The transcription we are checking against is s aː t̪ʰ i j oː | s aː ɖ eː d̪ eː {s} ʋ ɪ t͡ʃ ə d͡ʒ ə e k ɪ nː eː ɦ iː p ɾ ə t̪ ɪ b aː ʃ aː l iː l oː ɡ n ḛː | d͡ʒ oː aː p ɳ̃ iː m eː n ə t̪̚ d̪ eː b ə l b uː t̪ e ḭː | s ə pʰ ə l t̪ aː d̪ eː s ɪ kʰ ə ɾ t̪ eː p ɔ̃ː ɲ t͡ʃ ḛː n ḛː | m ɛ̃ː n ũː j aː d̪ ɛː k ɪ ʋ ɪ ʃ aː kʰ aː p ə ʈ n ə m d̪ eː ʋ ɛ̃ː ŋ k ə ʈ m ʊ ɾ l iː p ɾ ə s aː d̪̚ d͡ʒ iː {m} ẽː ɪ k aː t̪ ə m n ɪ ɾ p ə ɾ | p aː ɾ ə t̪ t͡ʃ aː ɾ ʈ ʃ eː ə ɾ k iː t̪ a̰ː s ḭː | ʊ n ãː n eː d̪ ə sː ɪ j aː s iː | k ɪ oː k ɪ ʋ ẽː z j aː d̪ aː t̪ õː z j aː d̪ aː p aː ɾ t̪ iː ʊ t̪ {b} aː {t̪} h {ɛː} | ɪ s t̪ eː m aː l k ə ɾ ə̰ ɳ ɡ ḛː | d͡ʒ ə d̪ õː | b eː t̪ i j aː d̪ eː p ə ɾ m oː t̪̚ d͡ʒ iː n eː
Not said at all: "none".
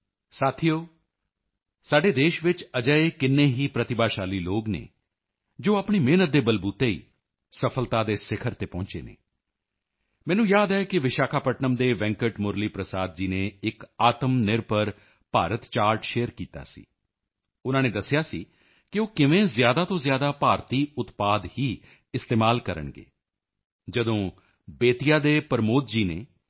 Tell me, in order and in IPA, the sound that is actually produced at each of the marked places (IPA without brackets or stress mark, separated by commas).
ʃ, n, p, d̪, iː